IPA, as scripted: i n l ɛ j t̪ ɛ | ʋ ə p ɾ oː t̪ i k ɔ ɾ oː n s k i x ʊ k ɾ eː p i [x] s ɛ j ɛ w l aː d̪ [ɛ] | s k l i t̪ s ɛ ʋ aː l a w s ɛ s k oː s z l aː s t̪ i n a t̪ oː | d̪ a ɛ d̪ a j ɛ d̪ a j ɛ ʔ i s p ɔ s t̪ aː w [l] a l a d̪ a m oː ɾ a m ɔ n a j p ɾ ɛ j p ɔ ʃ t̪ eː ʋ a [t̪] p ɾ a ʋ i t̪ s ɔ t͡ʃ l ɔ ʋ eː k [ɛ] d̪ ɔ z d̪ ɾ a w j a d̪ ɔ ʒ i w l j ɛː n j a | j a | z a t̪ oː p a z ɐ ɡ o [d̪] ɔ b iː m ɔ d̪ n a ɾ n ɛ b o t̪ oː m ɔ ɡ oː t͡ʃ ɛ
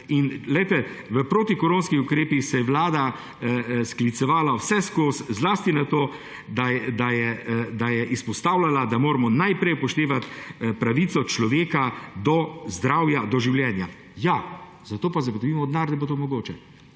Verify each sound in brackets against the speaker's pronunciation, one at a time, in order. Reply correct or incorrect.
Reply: correct, incorrect: a, correct, correct, incorrect: a, incorrect: t̪

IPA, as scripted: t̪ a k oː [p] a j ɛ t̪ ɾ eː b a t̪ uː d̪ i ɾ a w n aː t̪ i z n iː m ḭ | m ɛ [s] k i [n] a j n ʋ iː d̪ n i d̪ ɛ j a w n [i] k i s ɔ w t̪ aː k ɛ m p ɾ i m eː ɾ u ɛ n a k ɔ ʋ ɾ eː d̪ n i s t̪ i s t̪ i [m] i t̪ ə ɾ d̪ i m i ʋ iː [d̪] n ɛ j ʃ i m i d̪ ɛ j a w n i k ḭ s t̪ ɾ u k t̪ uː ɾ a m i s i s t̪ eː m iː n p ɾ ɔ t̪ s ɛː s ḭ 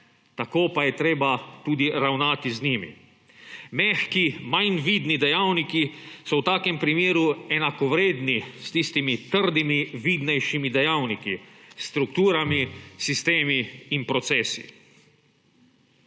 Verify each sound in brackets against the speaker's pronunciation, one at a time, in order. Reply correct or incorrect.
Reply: correct, incorrect: x, incorrect: m, correct, correct, correct

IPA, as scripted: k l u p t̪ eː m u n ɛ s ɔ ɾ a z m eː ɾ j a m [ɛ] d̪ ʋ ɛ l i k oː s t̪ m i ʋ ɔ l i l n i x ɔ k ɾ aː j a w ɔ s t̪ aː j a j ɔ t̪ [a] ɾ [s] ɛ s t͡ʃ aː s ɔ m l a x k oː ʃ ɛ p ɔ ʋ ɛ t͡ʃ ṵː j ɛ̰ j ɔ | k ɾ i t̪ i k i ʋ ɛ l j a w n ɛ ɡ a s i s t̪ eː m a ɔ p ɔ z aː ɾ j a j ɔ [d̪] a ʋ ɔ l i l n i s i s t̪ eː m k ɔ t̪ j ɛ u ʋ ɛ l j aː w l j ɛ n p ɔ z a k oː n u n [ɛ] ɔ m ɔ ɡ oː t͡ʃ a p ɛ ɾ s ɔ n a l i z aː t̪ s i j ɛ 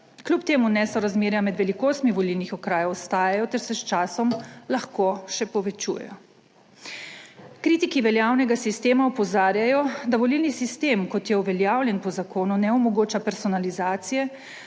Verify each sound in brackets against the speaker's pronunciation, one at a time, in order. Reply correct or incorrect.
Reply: correct, incorrect: ɛ, correct, correct, correct

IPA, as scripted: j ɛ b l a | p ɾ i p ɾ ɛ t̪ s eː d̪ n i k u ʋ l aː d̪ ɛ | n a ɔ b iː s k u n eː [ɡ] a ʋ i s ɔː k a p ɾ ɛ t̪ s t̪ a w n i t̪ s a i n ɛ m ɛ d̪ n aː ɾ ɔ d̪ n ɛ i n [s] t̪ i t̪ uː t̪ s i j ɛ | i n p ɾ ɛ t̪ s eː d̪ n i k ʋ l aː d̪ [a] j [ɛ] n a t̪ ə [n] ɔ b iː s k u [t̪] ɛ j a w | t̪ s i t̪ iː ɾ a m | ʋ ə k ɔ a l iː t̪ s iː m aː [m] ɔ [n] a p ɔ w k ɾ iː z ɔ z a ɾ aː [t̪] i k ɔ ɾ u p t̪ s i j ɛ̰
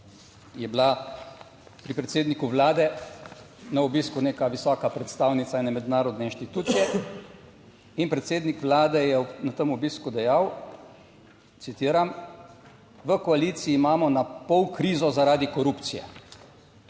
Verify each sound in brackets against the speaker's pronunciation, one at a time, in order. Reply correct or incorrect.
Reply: incorrect: k, incorrect: ʃ, incorrect: ɛ, correct, incorrect: m, incorrect: d̪, correct, correct, incorrect: d̪

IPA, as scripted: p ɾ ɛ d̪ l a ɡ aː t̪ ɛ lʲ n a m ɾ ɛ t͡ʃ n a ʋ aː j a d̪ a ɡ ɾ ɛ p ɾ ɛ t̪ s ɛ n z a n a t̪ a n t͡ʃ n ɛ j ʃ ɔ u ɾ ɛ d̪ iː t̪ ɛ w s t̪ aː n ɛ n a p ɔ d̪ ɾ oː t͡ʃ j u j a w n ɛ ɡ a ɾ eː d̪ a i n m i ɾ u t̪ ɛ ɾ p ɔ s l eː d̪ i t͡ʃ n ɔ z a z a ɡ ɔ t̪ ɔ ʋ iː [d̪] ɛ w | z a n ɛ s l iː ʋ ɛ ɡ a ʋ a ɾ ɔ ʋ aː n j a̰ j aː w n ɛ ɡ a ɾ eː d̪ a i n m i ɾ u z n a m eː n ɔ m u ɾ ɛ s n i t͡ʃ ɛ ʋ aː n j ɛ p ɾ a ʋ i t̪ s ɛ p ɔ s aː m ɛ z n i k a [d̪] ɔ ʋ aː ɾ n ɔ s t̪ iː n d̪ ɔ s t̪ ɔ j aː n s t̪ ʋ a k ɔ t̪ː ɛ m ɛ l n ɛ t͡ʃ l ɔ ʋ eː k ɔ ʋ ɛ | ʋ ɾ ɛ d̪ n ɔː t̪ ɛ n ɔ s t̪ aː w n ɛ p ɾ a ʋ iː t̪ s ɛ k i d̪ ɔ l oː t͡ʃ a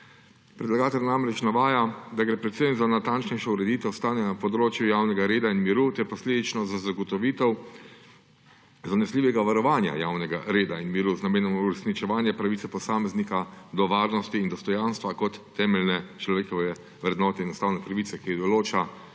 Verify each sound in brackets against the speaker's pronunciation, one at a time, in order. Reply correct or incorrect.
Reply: incorrect: t̪, correct

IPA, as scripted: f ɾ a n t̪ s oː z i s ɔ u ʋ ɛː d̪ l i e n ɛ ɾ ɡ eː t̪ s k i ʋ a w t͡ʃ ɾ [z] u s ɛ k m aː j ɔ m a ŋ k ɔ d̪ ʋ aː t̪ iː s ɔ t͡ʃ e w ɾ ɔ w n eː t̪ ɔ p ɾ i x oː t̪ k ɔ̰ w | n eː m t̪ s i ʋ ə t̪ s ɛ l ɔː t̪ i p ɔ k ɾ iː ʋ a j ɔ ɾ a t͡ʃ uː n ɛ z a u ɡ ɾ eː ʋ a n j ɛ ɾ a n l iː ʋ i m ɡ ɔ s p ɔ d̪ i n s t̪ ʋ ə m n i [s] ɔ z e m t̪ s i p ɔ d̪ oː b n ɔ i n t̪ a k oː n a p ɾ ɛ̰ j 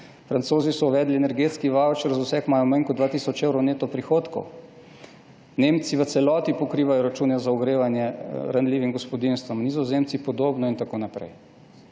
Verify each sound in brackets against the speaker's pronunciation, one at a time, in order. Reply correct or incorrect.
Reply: correct, incorrect: z

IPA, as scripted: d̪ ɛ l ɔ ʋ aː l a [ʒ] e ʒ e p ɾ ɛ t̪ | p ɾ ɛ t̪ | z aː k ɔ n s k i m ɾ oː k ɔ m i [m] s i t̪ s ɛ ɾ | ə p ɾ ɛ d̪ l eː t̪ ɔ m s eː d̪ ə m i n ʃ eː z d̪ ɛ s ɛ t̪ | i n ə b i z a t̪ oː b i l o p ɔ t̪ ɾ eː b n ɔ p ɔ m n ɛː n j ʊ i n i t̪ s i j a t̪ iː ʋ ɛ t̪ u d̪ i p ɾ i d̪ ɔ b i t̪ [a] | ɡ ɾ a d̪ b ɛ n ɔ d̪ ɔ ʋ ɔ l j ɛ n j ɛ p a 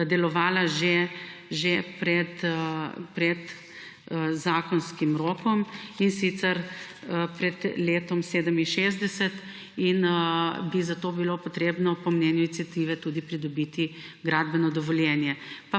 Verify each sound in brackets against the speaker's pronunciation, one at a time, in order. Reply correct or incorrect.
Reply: correct, incorrect: n, incorrect: i

